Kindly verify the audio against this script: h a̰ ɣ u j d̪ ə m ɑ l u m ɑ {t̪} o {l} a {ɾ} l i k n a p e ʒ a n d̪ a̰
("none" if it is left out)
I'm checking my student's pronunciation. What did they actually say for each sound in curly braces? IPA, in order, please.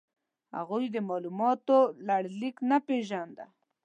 t̪, l, ɽ

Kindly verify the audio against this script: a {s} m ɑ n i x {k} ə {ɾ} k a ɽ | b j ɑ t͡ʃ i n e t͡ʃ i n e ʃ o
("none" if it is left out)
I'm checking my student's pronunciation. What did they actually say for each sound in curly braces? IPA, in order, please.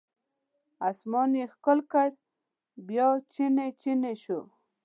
s, k, l

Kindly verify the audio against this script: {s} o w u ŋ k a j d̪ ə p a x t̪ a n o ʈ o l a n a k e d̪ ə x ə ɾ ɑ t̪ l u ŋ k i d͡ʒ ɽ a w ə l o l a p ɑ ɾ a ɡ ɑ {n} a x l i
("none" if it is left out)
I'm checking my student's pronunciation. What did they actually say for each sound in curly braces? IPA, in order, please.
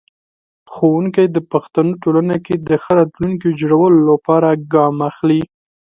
x, m

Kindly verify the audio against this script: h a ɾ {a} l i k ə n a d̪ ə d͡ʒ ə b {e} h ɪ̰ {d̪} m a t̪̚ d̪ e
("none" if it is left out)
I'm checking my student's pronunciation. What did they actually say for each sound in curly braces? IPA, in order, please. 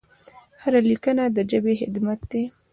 a, e, d̪

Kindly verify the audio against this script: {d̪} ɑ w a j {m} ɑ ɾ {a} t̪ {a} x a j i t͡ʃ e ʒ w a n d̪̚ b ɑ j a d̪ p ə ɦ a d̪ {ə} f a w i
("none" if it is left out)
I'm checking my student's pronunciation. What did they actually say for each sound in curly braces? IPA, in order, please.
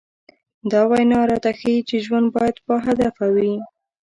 d̪, n, ɑ, a, a

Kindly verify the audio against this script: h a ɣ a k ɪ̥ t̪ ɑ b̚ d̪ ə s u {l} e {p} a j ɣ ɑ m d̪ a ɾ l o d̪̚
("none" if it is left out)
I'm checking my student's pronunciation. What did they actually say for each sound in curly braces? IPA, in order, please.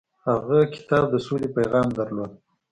l, p

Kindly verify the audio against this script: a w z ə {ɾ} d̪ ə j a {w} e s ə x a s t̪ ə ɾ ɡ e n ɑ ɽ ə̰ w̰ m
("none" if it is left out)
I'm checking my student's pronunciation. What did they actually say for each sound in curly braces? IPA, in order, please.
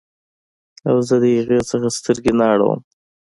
none, ɣ

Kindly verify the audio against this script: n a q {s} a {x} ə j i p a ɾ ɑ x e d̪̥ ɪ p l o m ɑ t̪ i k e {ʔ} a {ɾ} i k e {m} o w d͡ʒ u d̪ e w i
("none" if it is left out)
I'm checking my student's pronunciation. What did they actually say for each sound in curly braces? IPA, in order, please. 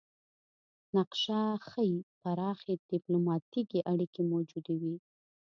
ʃ, x, ʔ, ɽ, m

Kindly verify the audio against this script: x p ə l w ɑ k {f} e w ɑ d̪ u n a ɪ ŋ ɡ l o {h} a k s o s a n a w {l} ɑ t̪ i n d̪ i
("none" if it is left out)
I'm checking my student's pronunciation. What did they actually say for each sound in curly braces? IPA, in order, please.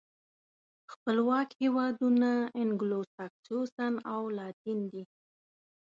h, s, l

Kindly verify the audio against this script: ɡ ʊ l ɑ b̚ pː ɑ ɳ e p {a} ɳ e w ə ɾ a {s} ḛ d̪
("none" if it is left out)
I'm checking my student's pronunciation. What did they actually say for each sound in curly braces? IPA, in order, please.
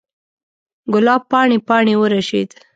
ɑ, ʃ

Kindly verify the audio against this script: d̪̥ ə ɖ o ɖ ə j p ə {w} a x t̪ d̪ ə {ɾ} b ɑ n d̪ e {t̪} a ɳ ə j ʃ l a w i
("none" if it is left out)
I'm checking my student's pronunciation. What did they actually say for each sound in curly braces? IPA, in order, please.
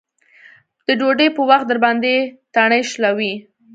w, ɾ, t̪

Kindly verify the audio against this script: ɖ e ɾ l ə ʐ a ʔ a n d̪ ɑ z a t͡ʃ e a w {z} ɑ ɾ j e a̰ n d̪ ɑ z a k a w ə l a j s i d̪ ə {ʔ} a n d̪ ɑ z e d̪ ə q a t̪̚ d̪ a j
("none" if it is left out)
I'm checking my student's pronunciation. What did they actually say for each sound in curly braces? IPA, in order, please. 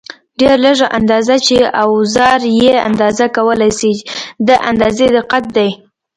z, ʔ

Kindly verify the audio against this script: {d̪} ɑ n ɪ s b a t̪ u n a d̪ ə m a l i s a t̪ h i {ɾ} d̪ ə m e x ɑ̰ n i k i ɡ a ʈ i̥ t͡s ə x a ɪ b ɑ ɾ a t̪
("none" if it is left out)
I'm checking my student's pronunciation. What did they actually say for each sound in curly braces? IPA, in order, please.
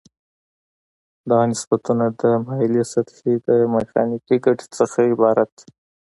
d̪, none

